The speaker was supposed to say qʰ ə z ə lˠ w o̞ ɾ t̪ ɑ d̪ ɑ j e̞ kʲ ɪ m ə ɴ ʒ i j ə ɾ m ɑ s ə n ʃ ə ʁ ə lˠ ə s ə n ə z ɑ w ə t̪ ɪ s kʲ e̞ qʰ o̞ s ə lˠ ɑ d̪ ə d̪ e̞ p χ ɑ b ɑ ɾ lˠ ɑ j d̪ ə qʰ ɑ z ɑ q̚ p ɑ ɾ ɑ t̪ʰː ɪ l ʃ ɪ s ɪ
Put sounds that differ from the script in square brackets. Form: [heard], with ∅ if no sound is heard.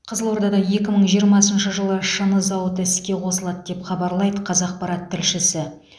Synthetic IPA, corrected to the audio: qʰ ə z ə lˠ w o̞ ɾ [d̪] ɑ d̪ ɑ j e̞ kʲ ɪ m ə ɴ ʒ i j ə ɾ m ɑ s ə n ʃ ə [ʒ] ə lˠ ə [ʃ] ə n ə z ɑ w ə t̪ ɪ s kʲ e̞ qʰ o̞ s ə lˠ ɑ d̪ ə d̪ e̞ p χ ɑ b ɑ ɾ lˠ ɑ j d̪ ə qʰ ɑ z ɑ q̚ p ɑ ɾ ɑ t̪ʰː ɪ l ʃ ɪ s ɪ